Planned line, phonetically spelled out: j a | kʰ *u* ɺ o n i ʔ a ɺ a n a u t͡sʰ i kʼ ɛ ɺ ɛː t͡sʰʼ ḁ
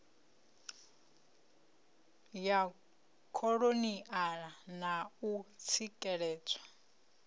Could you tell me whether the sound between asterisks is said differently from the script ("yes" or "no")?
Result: yes